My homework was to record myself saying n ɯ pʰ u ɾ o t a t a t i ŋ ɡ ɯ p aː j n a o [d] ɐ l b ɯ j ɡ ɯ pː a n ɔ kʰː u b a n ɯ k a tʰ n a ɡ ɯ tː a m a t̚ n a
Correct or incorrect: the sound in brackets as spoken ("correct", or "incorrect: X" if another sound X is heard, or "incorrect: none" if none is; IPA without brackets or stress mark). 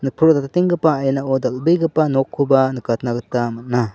correct